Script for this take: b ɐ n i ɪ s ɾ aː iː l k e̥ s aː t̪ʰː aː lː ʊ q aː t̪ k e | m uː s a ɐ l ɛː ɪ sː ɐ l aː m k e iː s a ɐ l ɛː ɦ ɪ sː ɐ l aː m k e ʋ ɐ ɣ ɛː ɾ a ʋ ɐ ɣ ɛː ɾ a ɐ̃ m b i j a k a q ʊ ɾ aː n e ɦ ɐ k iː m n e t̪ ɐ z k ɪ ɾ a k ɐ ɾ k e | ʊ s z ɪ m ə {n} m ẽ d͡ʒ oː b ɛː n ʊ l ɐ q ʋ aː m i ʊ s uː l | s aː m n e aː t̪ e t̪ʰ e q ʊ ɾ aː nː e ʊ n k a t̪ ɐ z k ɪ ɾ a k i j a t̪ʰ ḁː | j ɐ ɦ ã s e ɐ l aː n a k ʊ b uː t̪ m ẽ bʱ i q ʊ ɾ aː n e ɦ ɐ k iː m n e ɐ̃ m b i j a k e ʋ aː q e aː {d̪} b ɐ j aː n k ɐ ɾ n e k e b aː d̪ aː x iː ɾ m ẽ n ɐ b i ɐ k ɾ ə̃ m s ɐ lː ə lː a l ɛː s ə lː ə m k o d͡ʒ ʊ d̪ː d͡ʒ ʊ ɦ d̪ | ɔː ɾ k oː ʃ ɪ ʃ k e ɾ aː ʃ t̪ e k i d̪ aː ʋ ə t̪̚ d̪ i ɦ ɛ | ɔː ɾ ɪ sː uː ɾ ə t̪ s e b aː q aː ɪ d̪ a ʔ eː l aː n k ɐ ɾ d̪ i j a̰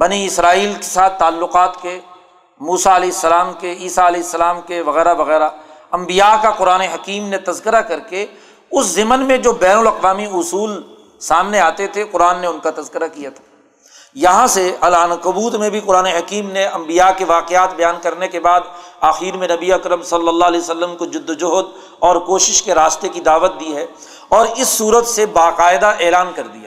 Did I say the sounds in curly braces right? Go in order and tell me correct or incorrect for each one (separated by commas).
correct, incorrect